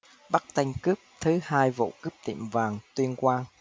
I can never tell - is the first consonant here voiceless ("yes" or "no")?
no